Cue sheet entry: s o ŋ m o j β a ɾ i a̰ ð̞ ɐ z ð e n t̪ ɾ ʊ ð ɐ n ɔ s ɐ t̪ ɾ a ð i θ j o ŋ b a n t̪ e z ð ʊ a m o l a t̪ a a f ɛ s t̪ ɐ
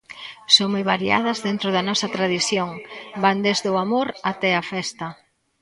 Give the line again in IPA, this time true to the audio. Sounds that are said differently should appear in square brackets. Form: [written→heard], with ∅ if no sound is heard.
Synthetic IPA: s o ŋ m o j β a ɾ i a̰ ð̞ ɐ z ð e n t̪ ɾ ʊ ð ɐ n ɔ s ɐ t̪ ɾ a ð i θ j o ŋ b a n [t̪→d̪] e z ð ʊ a m o [l→ɾ] a t̪ [a→ɛ] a f ɛ s t̪ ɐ